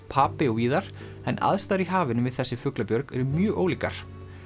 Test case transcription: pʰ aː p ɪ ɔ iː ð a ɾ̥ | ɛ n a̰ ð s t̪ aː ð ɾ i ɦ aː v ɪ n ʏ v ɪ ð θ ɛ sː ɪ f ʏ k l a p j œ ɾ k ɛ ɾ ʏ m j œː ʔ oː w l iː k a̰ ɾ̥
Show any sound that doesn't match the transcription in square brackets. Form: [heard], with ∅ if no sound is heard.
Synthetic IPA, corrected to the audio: pʰ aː p ɪ ɔ iː ð a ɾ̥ | ɛ n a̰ ð s t̪ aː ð ɾ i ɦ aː v ɪ n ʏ v ɪ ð θ ɛ sː ɪ f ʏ k l a p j œ ɾ k ɛ ɾ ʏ m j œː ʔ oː w l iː k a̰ ɾ̥